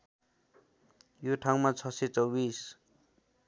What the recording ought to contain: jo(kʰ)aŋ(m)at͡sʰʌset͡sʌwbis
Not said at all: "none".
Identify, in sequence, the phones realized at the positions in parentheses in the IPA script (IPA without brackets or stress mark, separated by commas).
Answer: ʈʰ, m